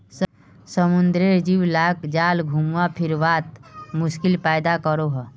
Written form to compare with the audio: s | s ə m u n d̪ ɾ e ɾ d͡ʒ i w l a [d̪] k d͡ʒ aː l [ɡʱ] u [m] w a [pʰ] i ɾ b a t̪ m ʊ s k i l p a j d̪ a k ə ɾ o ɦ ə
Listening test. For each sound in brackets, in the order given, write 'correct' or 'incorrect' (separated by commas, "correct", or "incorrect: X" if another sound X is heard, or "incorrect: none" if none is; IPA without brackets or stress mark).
incorrect: none, correct, correct, correct